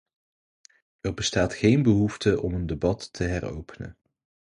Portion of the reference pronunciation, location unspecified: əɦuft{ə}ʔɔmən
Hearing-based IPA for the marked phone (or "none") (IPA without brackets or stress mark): ə